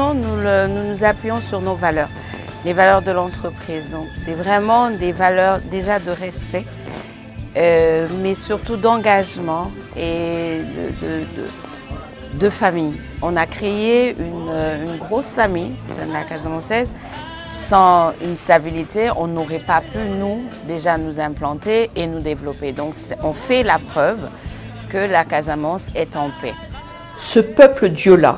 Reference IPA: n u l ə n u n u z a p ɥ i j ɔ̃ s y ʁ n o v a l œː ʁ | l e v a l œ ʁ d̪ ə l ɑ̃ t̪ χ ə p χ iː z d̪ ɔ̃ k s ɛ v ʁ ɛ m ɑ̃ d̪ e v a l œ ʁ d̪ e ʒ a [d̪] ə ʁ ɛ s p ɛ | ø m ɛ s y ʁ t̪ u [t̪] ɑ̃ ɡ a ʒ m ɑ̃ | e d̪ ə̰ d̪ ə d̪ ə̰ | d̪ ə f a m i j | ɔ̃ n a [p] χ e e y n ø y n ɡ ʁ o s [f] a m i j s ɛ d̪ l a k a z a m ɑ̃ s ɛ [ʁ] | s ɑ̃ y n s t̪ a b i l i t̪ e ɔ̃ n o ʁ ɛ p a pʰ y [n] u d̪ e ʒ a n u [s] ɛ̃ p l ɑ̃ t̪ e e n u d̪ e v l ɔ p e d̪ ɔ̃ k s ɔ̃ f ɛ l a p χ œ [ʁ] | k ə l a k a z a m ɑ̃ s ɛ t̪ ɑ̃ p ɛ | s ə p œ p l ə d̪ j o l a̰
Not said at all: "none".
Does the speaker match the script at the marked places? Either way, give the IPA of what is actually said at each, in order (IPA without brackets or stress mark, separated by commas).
d̪, d̪, k, f, z, n, z, v